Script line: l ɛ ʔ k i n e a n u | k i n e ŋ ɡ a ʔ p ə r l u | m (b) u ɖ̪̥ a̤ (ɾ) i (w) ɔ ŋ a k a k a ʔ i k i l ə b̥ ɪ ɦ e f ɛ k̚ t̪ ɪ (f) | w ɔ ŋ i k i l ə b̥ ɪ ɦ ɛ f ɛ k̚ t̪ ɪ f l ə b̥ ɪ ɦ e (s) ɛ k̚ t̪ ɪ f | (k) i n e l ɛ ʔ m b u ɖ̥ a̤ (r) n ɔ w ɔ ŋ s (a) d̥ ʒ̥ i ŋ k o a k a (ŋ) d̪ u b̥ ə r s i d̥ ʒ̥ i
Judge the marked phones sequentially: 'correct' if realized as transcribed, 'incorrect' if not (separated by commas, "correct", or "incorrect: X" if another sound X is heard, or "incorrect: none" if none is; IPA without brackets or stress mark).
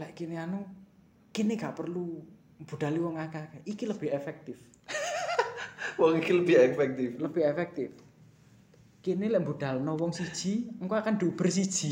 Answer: correct, incorrect: l, correct, correct, incorrect: f, correct, incorrect: l, incorrect: i, incorrect: n